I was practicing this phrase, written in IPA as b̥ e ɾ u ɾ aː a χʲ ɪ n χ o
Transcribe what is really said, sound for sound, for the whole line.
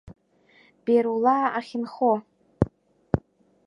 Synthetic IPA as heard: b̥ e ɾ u l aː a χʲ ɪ n χ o